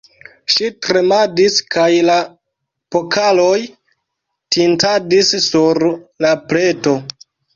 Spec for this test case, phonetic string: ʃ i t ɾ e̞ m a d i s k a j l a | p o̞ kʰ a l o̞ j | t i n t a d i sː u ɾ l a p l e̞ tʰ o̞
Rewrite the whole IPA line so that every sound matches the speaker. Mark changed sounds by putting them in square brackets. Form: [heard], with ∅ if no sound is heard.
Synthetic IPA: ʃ i t ɾ e̞ m a d i s k a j l a | p o̞ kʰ a l o̞ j | t i n t a d i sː u ɾ l a p l e̞ [t] o̞